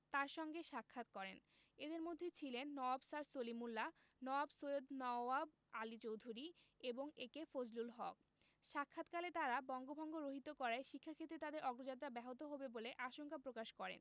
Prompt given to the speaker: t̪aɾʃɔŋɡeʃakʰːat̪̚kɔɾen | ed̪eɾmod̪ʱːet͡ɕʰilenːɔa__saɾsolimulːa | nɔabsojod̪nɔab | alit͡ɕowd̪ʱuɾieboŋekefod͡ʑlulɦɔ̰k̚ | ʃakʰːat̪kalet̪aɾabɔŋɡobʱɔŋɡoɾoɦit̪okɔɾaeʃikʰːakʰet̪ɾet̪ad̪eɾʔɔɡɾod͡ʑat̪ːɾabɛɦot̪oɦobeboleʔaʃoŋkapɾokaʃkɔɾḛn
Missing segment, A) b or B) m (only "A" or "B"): A